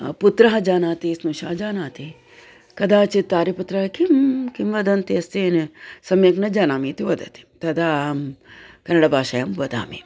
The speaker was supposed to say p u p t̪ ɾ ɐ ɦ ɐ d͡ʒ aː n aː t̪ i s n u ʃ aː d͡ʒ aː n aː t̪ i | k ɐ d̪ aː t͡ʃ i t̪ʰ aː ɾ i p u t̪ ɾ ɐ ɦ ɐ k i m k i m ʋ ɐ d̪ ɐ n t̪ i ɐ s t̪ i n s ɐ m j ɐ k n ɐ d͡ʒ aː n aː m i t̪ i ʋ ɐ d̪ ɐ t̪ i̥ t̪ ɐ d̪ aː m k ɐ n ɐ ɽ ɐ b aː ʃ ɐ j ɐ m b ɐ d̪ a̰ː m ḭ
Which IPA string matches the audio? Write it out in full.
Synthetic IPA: p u t̪ ɾ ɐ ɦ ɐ d͡ʒ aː n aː t̪ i s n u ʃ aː d͡ʒ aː n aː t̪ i | k ɐ d̪ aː t͡ʃ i t̪ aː ɾ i p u t̪ ɾ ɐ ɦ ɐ k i m k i m ʋ ɐ d̪ ɐ n t̪ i ɐ s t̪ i n s ɐ m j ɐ k n ɐ d͡ʒ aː n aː m i t̪ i ʋ ɐ d̪ ɐ t̪ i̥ t̪ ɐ d̪ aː m k ɐ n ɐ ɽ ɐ b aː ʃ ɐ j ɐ m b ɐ d̪ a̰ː m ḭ